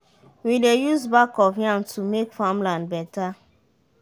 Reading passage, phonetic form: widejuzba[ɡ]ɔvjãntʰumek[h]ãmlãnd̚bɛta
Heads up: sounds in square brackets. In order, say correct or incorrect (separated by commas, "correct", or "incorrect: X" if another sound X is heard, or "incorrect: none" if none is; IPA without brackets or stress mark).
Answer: incorrect: k, incorrect: f